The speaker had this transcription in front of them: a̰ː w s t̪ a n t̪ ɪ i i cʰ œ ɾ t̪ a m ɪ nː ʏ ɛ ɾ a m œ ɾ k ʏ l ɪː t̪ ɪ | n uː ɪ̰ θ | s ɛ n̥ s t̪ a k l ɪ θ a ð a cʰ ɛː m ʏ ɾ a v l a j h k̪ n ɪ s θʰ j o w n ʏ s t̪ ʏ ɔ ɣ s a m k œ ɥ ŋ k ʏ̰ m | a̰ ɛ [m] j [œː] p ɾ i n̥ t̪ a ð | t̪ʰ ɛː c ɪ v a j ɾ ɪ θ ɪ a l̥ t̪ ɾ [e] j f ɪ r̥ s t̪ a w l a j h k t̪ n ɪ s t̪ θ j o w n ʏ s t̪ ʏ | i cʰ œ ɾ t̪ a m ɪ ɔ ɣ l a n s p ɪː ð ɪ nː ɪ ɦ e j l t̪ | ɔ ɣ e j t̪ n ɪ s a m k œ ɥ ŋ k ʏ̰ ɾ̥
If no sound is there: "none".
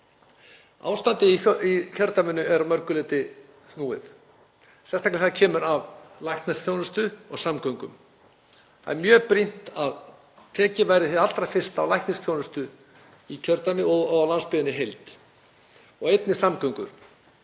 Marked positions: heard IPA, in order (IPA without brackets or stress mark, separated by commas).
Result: m, œː, a